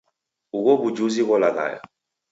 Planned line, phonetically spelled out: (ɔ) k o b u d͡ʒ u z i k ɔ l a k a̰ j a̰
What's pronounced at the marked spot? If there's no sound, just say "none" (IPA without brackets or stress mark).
u